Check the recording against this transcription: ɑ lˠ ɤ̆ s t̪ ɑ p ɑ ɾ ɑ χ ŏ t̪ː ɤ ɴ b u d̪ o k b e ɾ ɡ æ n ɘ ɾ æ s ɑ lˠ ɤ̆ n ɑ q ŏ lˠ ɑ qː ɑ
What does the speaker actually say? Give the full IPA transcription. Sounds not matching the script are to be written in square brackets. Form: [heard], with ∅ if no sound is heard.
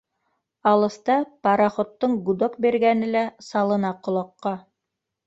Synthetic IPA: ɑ lˠ ɤ̆ s t̪ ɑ p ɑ ɾ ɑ χ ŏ t̪ː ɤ ɴ [ɡ] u d̪ o k b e ɾ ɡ æ n ɘ [l] æ s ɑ lˠ ɤ̆ n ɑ q ŏ lˠ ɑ qː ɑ